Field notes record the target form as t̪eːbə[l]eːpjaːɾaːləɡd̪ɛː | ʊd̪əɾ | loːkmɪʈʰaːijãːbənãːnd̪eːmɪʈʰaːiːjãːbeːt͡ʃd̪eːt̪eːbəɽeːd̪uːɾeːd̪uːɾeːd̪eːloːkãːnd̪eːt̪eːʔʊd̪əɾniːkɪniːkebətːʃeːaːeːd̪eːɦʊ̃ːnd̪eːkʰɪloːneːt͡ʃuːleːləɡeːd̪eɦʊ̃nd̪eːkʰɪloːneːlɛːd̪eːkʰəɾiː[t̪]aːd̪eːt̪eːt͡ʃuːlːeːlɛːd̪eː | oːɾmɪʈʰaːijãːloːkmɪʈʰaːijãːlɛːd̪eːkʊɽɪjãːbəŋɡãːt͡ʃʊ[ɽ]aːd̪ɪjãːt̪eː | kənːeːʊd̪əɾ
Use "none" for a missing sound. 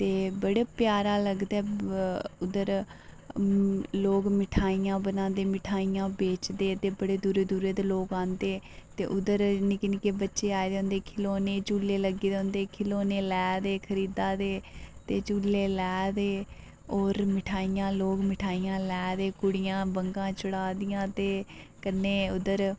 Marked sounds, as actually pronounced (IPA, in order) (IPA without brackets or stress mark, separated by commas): ɽ, d̪, ɽ